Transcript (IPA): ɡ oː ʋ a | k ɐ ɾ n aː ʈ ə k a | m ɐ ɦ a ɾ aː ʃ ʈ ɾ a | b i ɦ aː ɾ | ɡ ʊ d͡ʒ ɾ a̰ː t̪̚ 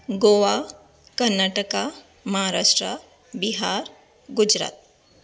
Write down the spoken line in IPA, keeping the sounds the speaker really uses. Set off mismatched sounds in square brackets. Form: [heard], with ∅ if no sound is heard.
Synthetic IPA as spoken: ɡ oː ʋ a | k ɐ ɾ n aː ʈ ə k a | m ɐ ɦ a ɾ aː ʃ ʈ ɾ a | b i ɦ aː ɾ | ɡ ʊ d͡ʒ ɾ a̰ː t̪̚